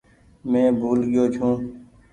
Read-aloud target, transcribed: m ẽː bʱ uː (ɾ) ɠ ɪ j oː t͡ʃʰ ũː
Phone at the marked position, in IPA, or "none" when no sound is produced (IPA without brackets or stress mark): l